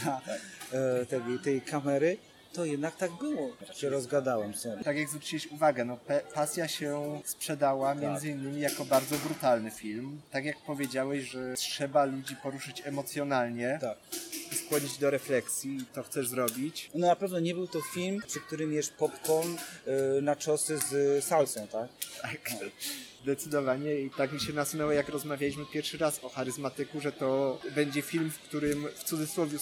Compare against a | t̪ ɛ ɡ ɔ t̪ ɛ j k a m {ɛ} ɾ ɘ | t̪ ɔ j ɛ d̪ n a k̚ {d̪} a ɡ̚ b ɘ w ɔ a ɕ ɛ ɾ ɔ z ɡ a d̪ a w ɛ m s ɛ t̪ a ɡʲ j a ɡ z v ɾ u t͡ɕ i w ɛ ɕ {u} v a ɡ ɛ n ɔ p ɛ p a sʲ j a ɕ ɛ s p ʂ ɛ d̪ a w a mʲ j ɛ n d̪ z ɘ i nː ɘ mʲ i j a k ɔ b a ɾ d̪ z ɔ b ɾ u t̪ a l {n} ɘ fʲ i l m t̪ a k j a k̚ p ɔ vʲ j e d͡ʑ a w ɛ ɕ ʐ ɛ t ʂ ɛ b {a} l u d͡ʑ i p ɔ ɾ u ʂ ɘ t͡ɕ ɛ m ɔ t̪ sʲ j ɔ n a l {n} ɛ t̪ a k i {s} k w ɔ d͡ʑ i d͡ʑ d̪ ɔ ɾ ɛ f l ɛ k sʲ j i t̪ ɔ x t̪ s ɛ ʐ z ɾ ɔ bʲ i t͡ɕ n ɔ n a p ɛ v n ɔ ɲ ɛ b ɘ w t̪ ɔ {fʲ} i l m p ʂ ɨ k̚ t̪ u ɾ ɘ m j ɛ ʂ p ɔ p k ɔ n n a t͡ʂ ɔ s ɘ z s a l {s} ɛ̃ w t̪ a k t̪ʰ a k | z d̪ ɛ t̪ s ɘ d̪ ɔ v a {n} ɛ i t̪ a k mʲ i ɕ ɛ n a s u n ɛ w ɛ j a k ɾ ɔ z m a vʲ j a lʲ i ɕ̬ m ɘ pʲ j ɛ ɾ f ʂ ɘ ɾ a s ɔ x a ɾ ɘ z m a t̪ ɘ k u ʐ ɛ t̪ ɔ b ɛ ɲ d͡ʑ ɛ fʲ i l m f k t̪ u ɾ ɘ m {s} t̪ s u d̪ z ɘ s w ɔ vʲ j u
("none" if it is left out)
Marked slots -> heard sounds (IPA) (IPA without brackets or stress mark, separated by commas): ɛ, t̪, u, n, a, ɲ, s, fʲ, s, ɲ, f